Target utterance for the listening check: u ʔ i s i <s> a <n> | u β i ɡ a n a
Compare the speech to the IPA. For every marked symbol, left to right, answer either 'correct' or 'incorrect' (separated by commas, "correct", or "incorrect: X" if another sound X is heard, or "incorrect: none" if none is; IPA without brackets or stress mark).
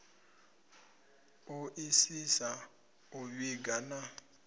correct, incorrect: none